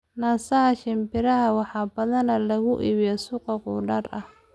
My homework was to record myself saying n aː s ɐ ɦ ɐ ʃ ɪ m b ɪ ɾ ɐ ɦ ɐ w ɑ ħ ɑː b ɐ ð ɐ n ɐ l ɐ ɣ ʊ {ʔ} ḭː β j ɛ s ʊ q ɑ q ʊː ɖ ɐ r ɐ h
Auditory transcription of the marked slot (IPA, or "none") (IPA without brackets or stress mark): ʔ